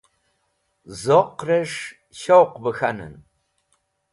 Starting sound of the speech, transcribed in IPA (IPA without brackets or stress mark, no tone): z